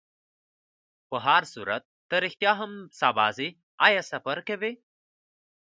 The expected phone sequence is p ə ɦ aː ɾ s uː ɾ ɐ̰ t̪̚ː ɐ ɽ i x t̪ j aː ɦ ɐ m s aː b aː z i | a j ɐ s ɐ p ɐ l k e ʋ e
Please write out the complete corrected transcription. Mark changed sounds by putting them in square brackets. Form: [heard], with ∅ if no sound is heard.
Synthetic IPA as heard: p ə ɦ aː ɾ s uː ɾ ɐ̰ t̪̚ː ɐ [ɾ] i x t̪ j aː ɦ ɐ m s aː b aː z i | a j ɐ s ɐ p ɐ [ɾ] k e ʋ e